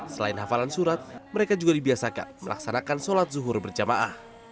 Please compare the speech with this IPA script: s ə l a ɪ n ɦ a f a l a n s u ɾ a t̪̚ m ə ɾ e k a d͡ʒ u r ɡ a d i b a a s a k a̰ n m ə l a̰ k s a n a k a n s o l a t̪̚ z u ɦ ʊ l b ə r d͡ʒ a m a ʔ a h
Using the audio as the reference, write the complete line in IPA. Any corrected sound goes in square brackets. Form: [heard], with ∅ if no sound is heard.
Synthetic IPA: s ə l a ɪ n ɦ a f a l a n s u ɾ a t̪̚ m ə ɾ e k a d͡ʒ u [∅] ɡ a d i b [i] a s a k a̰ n m ə l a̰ k s a n a k a n s o l a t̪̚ z u ɦ ʊ [r] b ə r d͡ʒ a m a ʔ a h